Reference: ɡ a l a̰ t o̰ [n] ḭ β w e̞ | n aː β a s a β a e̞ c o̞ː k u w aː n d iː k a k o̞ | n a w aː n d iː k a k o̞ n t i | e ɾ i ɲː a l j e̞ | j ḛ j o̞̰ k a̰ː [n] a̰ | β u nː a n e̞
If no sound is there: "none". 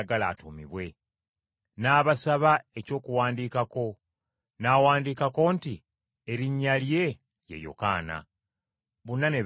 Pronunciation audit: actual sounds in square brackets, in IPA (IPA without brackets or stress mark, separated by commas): m, n